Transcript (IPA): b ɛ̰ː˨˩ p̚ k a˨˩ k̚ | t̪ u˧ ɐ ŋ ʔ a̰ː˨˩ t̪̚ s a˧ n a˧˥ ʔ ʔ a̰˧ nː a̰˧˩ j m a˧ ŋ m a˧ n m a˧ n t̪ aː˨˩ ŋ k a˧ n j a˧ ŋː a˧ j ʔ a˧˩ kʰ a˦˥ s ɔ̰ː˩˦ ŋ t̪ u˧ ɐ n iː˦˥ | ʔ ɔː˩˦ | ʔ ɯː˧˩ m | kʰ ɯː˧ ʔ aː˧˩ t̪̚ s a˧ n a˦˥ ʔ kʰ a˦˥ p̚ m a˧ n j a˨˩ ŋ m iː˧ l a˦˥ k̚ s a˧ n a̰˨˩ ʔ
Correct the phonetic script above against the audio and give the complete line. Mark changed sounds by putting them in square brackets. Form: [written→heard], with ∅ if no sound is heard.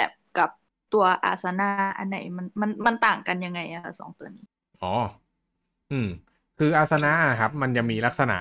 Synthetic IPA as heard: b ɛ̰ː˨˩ p̚ k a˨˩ [k̚→p̚] | t̪ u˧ ɐ [ŋ→∅] ʔ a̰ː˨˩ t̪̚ s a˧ n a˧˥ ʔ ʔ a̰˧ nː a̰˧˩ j m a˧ [ŋ→n] m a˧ n m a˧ n t̪ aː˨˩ ŋ k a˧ n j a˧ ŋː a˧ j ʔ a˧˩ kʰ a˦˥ s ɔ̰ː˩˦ ŋ t̪ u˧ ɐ n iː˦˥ | ʔ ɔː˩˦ | ʔ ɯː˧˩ m | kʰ ɯː˧ ʔ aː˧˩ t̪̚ s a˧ n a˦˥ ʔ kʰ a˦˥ p̚ m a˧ n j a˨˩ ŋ m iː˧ l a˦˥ k̚ s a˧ n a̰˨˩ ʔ